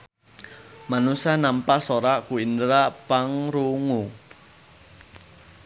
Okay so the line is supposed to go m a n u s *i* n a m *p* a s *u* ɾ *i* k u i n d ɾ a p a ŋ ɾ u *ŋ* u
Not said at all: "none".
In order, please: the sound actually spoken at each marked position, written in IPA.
a, p, o, a, ŋ

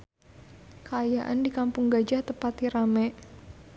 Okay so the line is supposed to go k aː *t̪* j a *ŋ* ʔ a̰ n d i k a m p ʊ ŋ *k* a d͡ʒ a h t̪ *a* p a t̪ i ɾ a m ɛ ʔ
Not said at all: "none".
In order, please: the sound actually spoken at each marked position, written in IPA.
none, none, ɡ, ə

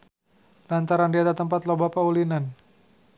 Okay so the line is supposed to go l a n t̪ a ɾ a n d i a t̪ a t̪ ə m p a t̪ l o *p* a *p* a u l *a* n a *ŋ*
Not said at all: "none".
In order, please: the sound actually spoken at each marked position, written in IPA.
b, p, i, n

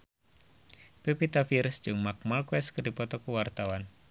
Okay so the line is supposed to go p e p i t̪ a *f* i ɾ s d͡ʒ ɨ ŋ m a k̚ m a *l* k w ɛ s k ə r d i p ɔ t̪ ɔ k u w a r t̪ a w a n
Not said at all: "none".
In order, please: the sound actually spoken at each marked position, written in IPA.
f, l

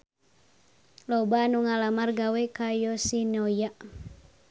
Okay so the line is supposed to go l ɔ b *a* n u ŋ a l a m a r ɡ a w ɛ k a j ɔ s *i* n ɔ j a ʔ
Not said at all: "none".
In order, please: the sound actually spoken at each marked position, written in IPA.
a, i

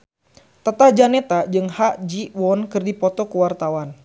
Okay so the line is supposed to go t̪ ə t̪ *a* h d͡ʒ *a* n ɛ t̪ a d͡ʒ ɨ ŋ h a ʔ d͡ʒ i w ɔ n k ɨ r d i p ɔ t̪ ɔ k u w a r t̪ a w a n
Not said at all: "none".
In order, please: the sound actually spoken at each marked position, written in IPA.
a, a

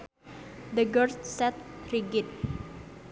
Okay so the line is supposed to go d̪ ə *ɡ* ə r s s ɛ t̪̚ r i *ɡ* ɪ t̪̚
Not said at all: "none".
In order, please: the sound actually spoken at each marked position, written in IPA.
ɡ, ɡ

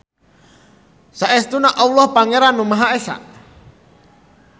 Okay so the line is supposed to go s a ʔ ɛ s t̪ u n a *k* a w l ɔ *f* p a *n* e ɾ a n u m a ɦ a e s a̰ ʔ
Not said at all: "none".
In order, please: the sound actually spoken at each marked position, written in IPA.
ʔ, h, ŋ

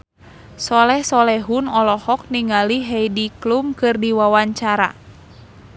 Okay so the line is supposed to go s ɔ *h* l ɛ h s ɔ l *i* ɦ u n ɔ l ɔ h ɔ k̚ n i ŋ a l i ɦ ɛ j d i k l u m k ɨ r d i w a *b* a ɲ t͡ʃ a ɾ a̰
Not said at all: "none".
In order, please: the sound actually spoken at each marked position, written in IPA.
none, ɛ, w

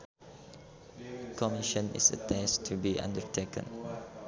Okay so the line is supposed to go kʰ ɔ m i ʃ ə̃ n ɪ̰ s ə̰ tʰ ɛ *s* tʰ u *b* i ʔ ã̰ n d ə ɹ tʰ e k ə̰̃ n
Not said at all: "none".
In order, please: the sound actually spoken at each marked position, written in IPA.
s, b

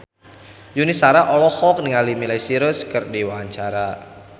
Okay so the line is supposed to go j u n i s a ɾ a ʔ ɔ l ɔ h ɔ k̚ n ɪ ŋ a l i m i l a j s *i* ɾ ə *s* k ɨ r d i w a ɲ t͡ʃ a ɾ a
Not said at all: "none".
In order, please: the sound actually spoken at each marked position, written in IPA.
i, s

